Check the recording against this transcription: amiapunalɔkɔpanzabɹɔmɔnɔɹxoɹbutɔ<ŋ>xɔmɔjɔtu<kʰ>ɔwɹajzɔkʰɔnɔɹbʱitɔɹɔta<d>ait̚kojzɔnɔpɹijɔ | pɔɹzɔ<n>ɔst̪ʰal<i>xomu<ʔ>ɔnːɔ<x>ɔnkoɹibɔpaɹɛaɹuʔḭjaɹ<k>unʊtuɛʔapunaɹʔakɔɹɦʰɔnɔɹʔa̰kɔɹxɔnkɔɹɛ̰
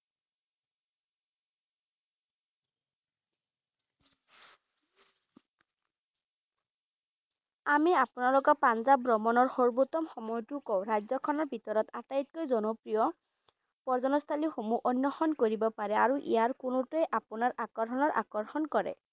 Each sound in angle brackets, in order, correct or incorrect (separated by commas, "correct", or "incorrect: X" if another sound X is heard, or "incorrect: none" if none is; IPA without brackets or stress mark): incorrect: m, incorrect: k, incorrect: t, correct, correct, correct, correct, correct